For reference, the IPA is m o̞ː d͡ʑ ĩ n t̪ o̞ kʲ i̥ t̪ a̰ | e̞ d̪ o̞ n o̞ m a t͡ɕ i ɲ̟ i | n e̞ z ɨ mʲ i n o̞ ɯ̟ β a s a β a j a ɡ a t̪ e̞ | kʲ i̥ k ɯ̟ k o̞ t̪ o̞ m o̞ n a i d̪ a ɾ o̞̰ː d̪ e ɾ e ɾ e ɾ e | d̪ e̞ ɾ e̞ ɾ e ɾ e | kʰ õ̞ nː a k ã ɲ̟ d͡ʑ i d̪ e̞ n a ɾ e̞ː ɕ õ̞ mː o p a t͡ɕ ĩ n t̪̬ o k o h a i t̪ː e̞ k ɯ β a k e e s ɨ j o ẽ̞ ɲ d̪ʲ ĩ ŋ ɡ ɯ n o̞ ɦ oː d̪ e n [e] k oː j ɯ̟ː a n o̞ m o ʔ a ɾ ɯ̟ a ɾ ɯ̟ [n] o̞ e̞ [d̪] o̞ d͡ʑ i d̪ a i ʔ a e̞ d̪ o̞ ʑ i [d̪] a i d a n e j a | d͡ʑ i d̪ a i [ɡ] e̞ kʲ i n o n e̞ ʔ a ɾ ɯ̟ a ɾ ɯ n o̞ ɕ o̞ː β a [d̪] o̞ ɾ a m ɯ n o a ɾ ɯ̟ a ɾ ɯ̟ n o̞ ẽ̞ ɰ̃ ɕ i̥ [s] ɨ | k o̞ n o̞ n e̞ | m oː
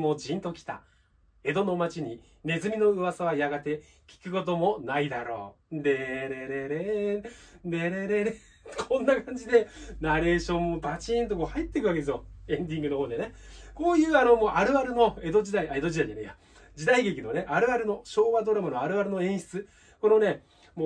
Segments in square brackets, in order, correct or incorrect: correct, correct, correct, correct, correct, correct, incorrect: t͡s

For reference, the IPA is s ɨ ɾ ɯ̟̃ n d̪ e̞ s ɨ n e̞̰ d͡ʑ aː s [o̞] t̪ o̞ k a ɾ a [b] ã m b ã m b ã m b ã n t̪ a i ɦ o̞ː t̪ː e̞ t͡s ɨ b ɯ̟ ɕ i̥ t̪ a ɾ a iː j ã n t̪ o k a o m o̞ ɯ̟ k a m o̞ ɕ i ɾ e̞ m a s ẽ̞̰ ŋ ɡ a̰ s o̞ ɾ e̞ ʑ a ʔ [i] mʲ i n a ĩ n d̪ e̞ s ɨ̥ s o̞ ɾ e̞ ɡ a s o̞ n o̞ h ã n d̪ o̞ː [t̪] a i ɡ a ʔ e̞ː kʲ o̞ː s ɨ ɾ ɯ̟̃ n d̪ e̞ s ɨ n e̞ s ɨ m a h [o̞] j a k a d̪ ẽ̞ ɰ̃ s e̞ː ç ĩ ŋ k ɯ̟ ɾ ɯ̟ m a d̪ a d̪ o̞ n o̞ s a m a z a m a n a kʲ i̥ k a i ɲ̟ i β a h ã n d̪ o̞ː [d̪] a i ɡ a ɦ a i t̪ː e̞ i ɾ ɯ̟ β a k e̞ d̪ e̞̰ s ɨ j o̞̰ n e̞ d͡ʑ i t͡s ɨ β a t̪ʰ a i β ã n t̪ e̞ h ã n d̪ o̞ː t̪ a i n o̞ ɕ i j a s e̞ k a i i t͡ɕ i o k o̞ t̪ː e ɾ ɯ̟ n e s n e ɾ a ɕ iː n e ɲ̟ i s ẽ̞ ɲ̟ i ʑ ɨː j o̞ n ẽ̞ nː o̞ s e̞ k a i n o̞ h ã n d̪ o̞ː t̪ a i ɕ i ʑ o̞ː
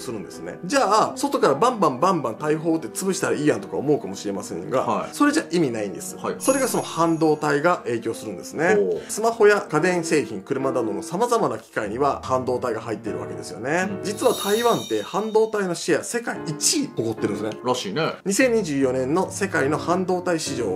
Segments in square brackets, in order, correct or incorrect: correct, correct, correct, correct, correct, incorrect: t̪

